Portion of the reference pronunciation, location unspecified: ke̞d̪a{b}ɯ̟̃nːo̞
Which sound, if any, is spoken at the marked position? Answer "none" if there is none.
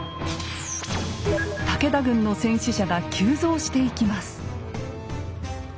ɡ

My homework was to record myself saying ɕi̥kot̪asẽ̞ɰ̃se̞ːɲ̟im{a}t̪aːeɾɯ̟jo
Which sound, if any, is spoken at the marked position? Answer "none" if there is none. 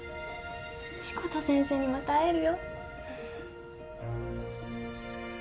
a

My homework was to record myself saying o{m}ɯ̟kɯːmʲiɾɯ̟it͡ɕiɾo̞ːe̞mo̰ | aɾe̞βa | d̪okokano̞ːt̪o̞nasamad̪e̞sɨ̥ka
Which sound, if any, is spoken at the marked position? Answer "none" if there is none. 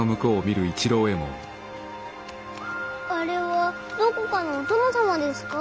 m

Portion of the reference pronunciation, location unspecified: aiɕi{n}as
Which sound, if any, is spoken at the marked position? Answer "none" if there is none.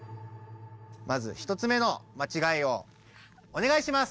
m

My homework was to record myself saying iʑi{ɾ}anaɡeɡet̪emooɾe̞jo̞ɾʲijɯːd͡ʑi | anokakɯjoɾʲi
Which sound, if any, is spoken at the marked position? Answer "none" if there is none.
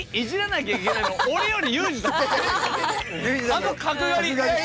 ɾ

